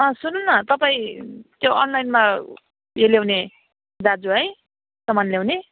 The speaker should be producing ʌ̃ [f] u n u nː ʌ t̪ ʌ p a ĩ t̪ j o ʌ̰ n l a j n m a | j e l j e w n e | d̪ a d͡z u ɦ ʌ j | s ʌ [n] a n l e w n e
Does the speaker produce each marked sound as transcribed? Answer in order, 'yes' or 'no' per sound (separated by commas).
no, no